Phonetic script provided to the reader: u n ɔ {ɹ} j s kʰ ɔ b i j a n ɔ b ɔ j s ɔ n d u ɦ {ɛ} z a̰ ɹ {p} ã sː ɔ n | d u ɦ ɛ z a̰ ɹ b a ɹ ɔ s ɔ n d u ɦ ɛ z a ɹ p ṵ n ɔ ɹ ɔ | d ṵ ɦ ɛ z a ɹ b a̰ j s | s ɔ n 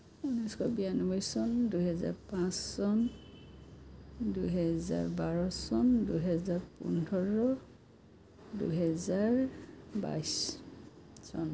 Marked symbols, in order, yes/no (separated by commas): no, yes, yes